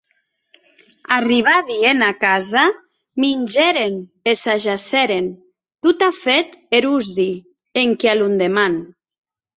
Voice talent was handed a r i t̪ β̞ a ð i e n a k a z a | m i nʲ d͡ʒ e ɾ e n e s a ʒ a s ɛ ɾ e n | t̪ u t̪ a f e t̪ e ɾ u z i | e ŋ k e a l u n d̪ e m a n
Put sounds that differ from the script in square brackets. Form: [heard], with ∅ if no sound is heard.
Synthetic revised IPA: a r i [∅] β̞ a ð i e n a k a z a | m i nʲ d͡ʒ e ɾ e n e s a ʒ a s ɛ ɾ e n | t̪ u t̪ a f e t̪ e ɾ u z i | e ŋ k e a l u n d̪ e m a n